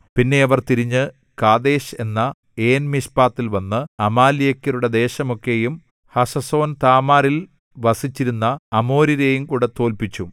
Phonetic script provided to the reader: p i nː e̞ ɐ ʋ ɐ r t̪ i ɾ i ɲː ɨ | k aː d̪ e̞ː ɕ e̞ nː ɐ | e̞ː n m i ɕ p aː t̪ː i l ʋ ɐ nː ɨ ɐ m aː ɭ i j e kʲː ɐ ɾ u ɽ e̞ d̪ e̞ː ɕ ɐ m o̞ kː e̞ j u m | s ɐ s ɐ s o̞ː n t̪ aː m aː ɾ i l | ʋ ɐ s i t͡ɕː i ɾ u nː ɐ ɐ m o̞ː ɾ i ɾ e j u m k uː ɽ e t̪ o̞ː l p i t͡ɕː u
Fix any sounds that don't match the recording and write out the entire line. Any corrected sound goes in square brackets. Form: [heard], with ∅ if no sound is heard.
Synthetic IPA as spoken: p i nː e̞ ɐ ʋ ɐ r t̪ i ɾ i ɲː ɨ | k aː d̪ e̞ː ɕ e̞ nː ɐ | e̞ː n m i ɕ p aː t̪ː i l ʋ ɐ nː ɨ ɐ m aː [l] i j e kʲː ɐ ɾ u ɽ e̞ d̪ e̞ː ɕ ɐ m o̞ kː e̞ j u m | [h] ɐ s ɐ s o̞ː n t̪ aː m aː ɾ i l | ʋ ɐ s i t͡ɕː i ɾ u nː ɐ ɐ m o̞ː ɾ i ɾ e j u m k uː ɽ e t̪ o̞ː l p i t͡ɕː u